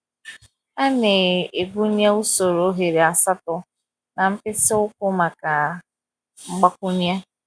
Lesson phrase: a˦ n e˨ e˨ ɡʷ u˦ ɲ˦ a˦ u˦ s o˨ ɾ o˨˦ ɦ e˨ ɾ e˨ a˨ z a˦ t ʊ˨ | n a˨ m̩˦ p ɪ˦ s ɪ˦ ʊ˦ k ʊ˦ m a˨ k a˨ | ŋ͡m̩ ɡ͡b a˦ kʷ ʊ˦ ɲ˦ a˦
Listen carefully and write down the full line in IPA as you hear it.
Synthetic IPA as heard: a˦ n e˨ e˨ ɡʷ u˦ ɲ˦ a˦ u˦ s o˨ ɾ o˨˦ ɦ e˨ ɾ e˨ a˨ s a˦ t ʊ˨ | n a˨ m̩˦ p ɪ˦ s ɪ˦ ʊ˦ k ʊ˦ m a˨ k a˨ | ŋ͡m̩ ɡ͡b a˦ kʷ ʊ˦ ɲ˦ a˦